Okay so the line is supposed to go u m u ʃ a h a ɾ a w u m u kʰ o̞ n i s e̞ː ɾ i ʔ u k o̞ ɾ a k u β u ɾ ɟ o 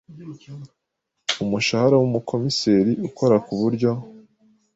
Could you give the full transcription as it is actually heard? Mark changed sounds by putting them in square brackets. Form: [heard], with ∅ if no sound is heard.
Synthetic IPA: u m u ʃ a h a ɾ a w u m u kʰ o̞ [m] i s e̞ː ɾ i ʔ u k o̞ ɾ a k u β u ɾ ɟ o

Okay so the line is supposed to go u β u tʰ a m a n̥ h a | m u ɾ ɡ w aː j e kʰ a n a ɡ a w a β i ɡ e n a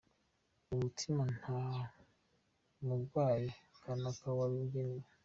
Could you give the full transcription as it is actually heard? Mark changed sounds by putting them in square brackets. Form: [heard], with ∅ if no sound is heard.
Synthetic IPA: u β u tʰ [i] m a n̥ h a | m u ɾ ɡ w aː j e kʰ a n a [k] a w a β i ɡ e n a

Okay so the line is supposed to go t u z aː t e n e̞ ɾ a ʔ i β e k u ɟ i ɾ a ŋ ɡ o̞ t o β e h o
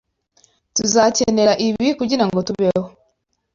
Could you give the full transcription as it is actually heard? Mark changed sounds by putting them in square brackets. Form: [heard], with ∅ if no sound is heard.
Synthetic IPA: t u z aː [c] e n e̞ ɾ a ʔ i β [i] k u ɟ i ɾ a ŋ ɡ o̞ t [u] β e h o

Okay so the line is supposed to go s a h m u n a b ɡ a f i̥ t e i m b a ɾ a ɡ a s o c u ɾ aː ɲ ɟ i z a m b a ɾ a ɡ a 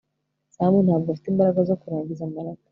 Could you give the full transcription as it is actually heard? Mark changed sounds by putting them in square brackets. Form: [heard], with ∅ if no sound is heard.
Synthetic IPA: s a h m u n a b ɡ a f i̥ t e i m b a ɾ a ɡ a [z] o [k] u ɾ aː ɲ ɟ i z a m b a ɾ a ɡ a

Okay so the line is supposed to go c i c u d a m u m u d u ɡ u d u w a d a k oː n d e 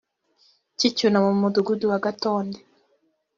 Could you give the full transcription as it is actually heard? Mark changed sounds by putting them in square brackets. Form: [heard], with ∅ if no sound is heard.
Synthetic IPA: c i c u [n] a m u m u d u ɡ u d u w a [ɡ] a [t] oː n d e

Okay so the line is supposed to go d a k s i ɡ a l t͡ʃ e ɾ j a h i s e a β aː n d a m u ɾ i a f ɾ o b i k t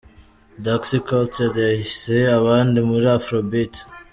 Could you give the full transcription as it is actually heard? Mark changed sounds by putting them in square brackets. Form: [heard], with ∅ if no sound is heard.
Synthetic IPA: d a k s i [k] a l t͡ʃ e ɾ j a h i s e a β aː n d [i] m u ɾ i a f ɾ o b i [∅] t

